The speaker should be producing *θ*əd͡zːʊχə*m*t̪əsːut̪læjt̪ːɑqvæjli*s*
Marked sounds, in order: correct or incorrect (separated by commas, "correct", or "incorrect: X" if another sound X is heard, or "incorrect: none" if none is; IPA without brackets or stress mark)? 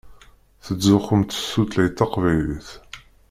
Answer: correct, correct, incorrect: θ